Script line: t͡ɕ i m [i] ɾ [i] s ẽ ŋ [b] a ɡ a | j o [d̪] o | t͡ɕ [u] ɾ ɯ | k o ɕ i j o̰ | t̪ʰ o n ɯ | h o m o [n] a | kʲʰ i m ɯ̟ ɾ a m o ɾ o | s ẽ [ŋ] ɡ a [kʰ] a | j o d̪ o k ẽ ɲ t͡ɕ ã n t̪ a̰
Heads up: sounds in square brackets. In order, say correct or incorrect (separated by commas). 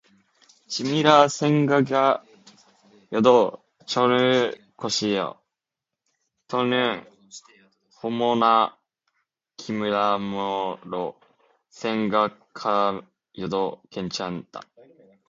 correct, incorrect, incorrect, correct, incorrect, correct, correct, correct